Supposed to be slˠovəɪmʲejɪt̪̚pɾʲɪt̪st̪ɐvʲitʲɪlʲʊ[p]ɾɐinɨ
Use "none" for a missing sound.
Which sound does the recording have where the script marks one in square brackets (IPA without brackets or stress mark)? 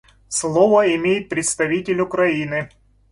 k